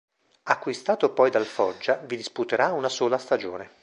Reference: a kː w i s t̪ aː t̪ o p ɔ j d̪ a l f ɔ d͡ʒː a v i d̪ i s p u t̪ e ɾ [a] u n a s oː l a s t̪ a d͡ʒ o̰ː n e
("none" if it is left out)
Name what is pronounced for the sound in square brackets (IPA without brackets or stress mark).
a